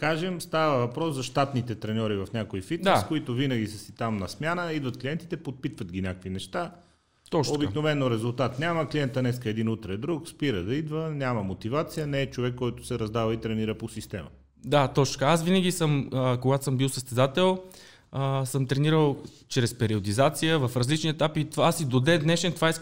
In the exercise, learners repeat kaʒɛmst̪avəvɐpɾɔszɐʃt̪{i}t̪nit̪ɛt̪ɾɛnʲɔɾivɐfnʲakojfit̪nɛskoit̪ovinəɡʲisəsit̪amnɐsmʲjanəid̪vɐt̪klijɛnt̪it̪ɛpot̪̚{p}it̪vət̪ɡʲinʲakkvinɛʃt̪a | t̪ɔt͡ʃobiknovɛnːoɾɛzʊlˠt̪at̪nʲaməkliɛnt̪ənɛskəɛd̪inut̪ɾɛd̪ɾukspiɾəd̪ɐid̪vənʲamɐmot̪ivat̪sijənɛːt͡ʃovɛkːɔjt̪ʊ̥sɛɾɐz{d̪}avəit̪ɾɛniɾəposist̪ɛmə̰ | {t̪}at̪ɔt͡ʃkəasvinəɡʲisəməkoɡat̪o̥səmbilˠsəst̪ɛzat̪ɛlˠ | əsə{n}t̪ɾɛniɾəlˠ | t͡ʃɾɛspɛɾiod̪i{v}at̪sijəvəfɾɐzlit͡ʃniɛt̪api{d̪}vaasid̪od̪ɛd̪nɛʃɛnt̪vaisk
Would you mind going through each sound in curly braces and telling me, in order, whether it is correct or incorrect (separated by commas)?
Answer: incorrect, correct, correct, incorrect, incorrect, incorrect, incorrect